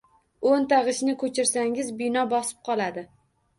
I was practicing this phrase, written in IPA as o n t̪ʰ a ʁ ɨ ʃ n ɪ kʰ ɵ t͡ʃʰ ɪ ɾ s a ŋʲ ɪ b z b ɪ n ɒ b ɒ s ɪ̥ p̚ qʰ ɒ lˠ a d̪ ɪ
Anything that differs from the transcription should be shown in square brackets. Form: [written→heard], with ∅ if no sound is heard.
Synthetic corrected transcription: o n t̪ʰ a ʁ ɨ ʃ n ɪ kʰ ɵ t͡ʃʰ ɪ ɾ s a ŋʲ ɪ [b→∅] z b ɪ n ɒ b ɒ s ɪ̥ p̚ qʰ ɒ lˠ a d̪ ɪ